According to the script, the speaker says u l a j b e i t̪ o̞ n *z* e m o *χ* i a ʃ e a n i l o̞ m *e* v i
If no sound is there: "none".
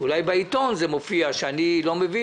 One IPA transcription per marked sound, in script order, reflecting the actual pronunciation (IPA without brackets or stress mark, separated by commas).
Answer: z, f, e